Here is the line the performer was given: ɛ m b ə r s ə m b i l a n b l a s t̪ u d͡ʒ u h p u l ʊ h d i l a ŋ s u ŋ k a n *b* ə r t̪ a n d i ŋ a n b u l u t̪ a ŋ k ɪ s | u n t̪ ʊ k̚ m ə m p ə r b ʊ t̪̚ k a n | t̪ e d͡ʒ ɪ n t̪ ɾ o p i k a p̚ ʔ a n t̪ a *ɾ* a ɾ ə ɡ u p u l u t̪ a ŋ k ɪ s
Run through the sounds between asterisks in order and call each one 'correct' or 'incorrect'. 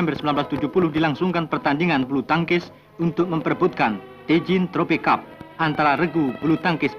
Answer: incorrect: p, correct

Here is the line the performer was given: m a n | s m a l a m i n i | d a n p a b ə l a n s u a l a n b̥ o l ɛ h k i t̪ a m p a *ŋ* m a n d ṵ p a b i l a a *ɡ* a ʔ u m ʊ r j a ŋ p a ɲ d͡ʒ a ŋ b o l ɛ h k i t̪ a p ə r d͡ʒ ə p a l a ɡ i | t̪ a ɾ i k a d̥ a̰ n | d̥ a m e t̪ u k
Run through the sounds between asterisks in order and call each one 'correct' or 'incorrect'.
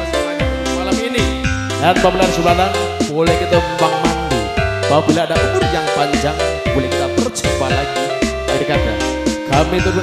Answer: correct, incorrect: d

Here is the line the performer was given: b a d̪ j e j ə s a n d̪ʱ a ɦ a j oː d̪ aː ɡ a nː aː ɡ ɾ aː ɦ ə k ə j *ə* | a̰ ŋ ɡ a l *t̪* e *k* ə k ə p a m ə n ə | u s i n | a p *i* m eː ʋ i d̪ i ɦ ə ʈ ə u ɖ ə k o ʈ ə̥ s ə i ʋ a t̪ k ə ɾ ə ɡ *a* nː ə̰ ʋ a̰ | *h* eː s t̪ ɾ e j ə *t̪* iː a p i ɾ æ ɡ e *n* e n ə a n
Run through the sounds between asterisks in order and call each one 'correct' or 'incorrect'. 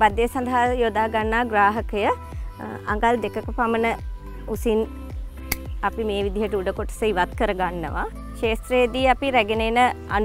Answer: correct, incorrect: d̪, correct, correct, correct, incorrect: ʃ, incorrect: d̪, correct

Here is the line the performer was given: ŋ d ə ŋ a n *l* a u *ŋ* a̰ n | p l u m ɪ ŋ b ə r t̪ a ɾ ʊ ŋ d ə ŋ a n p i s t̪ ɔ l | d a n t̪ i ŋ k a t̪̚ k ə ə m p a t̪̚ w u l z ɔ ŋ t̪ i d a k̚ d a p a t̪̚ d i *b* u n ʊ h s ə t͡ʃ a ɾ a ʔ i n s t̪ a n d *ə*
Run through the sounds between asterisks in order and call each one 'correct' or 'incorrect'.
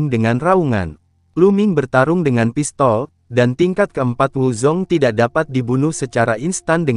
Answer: incorrect: r, correct, correct, correct

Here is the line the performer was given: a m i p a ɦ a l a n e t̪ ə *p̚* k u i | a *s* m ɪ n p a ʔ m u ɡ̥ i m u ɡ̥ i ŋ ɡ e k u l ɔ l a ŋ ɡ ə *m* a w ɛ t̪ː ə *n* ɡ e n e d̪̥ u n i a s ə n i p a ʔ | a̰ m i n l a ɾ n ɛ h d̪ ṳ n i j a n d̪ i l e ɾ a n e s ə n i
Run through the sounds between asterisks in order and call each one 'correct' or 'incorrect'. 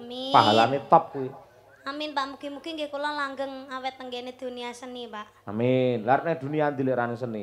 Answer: correct, incorrect: none, incorrect: ŋ, incorrect: ŋ

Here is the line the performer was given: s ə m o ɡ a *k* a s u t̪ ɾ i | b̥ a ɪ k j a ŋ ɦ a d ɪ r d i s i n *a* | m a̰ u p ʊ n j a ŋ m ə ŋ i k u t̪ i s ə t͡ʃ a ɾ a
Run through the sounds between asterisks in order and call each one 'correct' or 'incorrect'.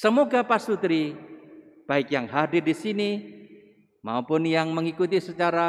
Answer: incorrect: p, incorrect: i

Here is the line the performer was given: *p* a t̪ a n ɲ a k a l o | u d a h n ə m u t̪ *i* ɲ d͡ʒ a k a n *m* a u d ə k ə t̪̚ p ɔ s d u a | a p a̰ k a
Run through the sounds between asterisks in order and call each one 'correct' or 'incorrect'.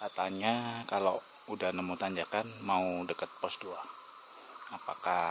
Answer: incorrect: k, incorrect: a, correct

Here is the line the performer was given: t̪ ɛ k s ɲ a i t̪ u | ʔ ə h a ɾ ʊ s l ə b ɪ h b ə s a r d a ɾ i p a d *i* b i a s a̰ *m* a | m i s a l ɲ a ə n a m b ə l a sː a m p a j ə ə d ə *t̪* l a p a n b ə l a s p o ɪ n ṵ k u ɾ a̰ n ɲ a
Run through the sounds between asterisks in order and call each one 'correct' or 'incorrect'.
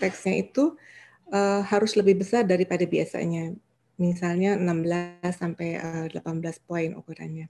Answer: incorrect: a, incorrect: ɲ, incorrect: none

